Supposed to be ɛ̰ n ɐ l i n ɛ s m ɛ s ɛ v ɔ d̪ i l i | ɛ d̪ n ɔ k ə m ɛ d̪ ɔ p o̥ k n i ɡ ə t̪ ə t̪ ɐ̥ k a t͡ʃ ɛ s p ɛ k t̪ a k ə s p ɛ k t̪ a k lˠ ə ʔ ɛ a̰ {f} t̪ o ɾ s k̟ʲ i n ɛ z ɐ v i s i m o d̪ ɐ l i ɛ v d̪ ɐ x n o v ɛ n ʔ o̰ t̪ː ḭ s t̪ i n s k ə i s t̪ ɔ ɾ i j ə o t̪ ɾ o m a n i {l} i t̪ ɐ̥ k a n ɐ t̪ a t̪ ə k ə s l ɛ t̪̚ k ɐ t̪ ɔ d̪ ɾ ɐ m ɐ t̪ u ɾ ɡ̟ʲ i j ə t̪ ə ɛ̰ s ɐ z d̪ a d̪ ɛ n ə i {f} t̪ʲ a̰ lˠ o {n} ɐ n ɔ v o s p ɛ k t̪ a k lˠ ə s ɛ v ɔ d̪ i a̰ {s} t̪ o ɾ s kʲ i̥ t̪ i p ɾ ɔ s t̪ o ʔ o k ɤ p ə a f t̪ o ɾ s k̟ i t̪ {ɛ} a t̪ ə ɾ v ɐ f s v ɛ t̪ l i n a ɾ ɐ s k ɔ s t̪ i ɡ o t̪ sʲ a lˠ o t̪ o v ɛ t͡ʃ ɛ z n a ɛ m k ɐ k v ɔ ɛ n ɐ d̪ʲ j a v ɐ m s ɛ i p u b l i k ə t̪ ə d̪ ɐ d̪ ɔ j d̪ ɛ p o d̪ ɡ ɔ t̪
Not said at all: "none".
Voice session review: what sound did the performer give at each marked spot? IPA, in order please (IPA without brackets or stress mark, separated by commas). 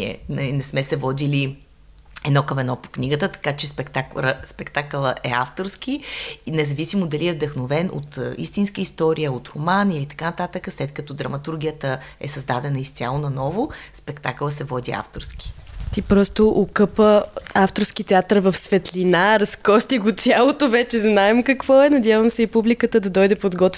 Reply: f, l, s, n, f, ɛ